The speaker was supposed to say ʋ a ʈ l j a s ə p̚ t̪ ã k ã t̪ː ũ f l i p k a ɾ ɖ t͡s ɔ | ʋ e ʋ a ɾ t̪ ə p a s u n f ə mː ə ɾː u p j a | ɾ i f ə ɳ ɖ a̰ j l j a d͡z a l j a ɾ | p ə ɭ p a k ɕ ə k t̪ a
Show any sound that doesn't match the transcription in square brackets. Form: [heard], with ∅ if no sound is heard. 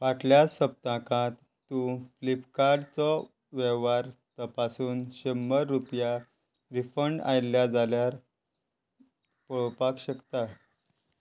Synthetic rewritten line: ʋ a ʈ l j a s ə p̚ t̪ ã k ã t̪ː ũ f l i p k a ɾ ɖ t͡s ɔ | ʋ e ʋ a ɾ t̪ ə p a s [uː] n [ɕ] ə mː ə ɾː u p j a | ɾ i f ə ɳ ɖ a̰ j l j a d͡z a l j a ɾ | p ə ɭ p a k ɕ ə k t̪ a